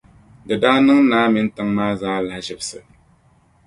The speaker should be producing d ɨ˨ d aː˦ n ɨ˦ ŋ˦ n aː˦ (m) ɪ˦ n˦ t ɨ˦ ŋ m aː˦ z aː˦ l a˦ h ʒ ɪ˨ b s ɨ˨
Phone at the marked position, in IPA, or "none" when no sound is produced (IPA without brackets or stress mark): m